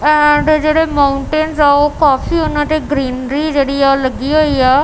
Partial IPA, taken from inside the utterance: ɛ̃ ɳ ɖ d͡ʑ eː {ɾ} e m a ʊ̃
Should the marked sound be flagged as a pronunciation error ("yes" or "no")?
yes